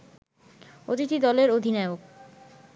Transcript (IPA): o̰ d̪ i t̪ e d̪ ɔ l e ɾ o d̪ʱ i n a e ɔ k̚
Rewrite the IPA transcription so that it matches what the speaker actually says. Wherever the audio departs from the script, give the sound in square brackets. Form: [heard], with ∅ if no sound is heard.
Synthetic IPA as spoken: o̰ [t̪] i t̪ [i] d̪ ɔ l e ɾ o d̪ʱ i n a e [o] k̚